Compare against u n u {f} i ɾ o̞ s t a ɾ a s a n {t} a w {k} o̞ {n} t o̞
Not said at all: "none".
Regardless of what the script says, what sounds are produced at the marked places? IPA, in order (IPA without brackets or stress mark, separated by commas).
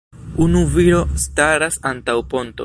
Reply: v, t, p, n